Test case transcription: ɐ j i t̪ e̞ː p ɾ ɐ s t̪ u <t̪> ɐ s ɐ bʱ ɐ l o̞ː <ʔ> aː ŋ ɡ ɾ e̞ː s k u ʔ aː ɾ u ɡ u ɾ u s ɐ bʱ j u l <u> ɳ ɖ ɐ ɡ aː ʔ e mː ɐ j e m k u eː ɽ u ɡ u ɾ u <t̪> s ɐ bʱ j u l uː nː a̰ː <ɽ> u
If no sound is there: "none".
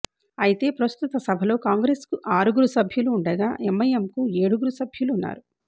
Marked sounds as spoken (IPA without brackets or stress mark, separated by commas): t̪, k, uː, none, ɾ